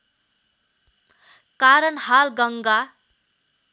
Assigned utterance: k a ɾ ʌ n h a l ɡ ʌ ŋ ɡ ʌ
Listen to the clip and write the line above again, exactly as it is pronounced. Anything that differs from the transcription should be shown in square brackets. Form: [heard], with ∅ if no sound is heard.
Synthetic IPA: k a ɾ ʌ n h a l ɡ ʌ ŋ ɡ [a]